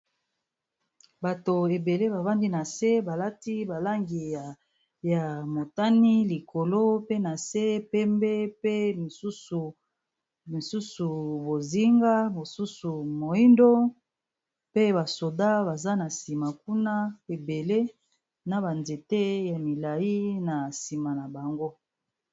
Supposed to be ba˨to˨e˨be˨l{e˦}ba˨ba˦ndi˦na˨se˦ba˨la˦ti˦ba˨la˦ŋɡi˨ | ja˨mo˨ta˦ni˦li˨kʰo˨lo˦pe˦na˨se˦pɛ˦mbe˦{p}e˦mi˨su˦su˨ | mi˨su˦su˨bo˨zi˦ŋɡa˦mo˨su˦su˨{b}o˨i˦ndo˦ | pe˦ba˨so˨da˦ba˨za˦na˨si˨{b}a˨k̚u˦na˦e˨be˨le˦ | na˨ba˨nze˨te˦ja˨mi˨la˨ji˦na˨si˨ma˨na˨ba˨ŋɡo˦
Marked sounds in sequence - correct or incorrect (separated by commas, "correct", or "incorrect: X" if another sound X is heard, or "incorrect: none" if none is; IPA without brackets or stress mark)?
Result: correct, correct, incorrect: m, incorrect: m